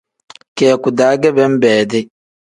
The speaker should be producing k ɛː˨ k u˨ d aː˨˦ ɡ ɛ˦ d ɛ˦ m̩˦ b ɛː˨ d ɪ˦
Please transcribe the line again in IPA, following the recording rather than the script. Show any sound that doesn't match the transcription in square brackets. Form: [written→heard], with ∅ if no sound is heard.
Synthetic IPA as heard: k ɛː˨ k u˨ d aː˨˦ ɡ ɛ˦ [d→b] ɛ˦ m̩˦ b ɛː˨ d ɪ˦